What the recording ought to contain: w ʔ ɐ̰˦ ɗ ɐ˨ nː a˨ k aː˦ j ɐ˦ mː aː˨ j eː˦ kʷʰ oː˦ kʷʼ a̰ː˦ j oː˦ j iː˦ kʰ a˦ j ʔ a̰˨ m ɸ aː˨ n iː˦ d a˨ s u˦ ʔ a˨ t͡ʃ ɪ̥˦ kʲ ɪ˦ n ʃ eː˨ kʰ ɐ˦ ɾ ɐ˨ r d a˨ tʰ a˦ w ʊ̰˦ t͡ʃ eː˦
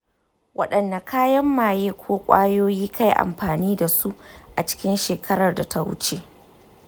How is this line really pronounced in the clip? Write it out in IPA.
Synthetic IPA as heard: w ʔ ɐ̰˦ ɗ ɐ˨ nː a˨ k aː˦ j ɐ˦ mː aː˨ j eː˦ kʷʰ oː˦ kʷʼ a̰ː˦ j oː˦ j iː˦ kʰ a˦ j ʔ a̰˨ m ɸ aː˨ n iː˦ d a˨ s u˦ ʔ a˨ t͡ʃ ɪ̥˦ kʲ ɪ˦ n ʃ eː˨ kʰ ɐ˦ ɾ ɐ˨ r d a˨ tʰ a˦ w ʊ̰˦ t͡ʃ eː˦